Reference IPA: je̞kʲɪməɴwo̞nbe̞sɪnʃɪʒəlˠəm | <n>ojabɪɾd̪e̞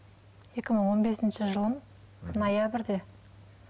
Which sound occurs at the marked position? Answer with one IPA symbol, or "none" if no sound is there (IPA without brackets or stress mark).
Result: n